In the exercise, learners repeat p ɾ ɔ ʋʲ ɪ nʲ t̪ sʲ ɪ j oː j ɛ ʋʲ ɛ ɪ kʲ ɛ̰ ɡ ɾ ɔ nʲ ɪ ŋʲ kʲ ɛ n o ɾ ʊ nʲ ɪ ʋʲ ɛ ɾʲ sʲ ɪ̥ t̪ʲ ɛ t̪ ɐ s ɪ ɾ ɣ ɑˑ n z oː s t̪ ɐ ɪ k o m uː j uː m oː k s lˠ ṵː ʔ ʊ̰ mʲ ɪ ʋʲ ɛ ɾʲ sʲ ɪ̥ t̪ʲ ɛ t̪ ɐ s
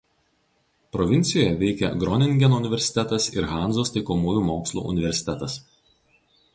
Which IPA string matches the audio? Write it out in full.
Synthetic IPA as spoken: p ɾ ɔ ʋʲ ɪ nʲ t̪ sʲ ɪ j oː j ɛ ʋʲ ɛ ɪ kʲ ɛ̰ ɡ ɾ ɔ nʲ ɪ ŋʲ ɡʲ ɛ n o ʊ nʲ ɪ ʋʲ ɛ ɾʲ sʲ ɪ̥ t̪ʲ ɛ t̪ ɐ s ɪ ɾ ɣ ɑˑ n z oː s t̪ ɐ ɪ k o m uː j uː m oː k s lˠ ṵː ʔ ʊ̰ nʲ ɪ ʋʲ ɛ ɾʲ sʲ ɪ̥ t̪ʲ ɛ t̪ ɐ s